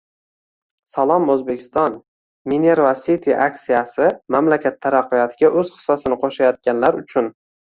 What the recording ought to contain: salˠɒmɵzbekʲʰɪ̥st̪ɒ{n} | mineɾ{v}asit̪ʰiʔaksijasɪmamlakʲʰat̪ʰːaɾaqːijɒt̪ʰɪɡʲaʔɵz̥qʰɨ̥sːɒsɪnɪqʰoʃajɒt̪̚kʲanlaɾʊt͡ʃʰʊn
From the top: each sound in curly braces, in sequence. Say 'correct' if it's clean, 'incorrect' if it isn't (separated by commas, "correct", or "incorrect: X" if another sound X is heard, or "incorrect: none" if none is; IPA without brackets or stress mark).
correct, correct